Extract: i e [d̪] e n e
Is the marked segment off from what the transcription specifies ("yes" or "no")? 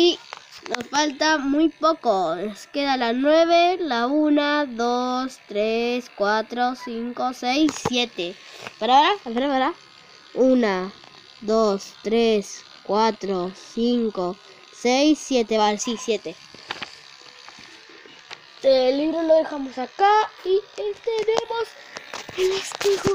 yes